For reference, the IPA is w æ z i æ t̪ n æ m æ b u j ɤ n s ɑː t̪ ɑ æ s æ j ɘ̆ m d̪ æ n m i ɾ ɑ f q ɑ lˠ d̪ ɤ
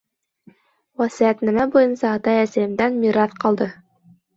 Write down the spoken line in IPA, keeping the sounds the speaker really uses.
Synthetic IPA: w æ s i æ t̪ n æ m æ b u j ɤ n s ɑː t̪ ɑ æ s æ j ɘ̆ m d̪ æ n m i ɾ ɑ θ q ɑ lˠ d̪ ɤ

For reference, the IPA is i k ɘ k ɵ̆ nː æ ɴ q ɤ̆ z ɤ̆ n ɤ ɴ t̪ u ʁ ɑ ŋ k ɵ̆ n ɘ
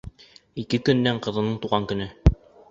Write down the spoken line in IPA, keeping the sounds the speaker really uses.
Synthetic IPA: i k ɘ k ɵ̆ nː æ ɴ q ɤ̆ ð ɤ̆ n ɤ ɴ t̪ u ʁ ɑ ŋ k ɵ̆ n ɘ

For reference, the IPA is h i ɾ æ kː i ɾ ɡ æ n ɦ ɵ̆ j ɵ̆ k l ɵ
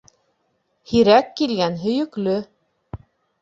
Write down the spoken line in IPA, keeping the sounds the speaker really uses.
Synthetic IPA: h i ɾ æ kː i l ɡ æ n ɦ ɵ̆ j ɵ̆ k l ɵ

